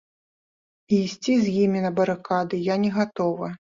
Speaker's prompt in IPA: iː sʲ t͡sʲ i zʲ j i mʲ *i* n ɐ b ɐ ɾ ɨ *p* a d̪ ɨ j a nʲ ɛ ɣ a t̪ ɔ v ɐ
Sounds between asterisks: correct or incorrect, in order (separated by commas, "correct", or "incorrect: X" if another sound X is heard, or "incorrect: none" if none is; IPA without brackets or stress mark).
correct, incorrect: k